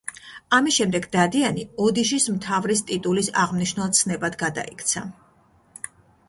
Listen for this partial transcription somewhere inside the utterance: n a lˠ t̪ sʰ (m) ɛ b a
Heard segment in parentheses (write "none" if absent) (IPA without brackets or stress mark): n